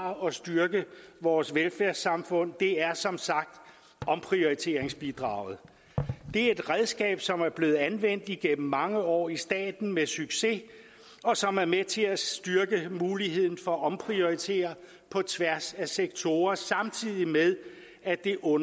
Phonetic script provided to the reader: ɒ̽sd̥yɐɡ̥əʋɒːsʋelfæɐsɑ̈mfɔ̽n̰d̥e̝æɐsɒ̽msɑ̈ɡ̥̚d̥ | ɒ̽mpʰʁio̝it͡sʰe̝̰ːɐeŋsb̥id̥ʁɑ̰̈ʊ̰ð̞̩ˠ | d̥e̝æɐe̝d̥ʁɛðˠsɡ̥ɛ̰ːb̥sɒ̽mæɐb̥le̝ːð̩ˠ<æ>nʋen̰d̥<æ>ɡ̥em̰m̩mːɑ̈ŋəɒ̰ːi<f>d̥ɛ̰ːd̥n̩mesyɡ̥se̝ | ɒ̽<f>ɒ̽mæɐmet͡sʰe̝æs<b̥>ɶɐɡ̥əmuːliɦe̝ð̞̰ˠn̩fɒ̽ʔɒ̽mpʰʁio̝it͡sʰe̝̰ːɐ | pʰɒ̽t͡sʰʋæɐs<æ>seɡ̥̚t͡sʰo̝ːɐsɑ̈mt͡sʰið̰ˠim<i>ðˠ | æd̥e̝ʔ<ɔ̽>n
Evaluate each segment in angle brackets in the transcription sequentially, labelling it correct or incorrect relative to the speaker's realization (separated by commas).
correct, incorrect, incorrect, incorrect, incorrect, correct, incorrect, correct